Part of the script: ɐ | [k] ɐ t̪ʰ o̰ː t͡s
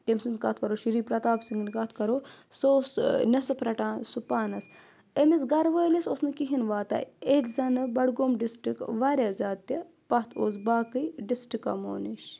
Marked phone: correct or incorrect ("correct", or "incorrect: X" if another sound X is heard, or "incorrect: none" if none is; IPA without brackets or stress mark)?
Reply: incorrect: p